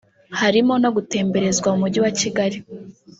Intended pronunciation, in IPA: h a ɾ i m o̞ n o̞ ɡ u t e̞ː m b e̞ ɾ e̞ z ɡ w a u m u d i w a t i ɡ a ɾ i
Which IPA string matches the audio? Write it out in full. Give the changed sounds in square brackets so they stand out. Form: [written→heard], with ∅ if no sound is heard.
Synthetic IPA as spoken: h a ɾ i m o̞ n o̞ ɡ u t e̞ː m b e̞ ɾ e̞ z ɡ w a u m u [d→ɟ] i w a [t→c] i ɡ a ɾ i